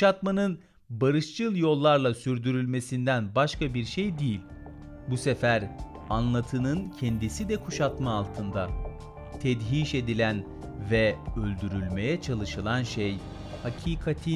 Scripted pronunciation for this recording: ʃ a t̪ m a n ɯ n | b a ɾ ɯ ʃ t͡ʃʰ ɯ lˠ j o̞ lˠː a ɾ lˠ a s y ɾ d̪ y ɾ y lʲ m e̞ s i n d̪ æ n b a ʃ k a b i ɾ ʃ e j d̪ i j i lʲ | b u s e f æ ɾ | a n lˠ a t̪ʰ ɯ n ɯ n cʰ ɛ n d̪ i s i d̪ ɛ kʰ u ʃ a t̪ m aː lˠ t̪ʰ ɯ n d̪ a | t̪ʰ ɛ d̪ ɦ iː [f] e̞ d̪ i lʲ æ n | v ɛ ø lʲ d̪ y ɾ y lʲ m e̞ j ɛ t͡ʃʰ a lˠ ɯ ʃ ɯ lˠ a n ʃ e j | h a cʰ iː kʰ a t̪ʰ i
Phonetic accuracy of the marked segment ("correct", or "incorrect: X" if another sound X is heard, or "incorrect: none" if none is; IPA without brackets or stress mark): incorrect: ʃ